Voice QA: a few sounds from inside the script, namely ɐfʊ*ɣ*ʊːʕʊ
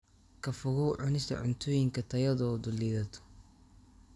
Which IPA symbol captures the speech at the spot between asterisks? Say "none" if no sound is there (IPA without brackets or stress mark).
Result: ɣ